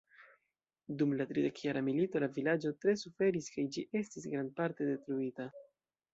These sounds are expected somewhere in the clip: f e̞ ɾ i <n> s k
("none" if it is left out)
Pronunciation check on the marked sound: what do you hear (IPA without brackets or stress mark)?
none